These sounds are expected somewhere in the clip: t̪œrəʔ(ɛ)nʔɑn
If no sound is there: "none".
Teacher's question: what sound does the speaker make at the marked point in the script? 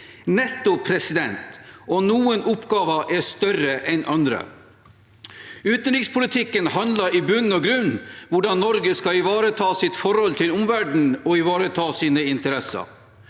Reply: ɛ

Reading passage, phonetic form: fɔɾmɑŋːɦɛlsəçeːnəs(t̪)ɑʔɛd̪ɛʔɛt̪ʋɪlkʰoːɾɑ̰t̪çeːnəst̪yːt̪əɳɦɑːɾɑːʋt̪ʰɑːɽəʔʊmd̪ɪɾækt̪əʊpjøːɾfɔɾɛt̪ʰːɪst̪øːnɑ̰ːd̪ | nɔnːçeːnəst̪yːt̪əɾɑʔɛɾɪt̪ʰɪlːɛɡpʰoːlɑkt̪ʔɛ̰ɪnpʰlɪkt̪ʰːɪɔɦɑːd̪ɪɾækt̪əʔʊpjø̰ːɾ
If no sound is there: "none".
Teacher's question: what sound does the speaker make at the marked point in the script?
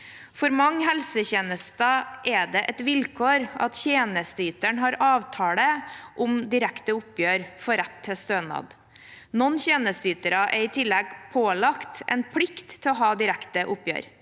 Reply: t̪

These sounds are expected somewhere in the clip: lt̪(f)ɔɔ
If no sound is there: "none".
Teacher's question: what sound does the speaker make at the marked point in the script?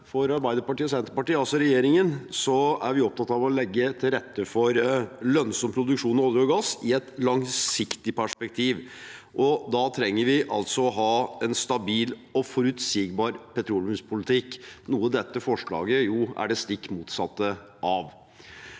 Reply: s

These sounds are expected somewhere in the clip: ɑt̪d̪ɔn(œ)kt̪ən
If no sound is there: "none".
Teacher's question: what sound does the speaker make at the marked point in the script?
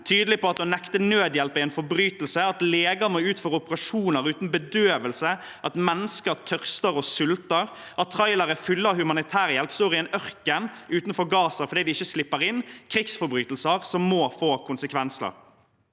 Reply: ɛ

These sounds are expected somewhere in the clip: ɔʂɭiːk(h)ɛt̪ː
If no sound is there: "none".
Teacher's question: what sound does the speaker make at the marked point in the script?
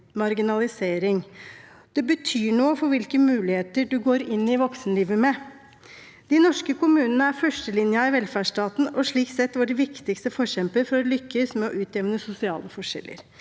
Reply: s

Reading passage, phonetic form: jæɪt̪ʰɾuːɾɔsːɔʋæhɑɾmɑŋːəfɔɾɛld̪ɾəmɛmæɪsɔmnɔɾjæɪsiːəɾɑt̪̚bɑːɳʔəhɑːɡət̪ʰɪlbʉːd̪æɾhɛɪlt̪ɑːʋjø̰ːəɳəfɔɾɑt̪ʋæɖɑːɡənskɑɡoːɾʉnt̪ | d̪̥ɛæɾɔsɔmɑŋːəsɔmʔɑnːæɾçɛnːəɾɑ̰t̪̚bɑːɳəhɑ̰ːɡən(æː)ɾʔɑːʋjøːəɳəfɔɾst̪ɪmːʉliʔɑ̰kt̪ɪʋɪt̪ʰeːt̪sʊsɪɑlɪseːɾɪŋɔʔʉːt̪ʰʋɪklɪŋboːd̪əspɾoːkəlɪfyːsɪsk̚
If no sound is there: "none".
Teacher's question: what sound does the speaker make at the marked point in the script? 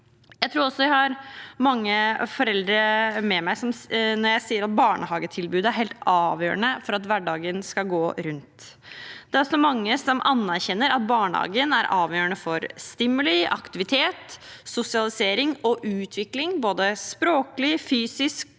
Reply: æ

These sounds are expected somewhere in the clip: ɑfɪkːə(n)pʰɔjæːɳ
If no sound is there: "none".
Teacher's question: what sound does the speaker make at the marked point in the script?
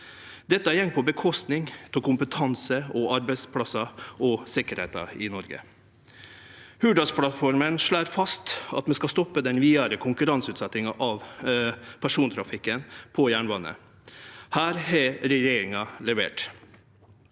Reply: n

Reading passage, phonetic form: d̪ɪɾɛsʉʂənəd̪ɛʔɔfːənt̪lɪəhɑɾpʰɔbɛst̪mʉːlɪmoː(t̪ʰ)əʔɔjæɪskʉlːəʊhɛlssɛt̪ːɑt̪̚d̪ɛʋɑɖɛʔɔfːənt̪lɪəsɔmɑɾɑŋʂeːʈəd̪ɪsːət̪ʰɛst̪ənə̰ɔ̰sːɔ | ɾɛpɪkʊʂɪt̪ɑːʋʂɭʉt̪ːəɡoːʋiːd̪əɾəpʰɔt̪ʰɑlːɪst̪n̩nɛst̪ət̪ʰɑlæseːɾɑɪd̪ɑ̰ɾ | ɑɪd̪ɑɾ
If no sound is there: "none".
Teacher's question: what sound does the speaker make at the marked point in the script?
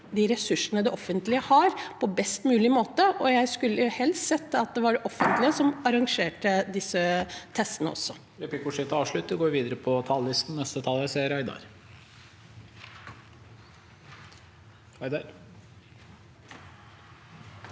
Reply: t̪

